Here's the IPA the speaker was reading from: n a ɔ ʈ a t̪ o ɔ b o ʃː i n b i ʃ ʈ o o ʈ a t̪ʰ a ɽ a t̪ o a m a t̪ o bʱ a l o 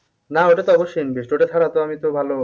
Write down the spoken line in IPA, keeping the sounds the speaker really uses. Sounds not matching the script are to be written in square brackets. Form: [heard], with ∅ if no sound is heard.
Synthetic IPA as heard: n a [o] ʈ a t̪ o ɔ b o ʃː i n b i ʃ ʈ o o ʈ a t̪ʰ a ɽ a t̪ o a m [i] t̪ o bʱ a l o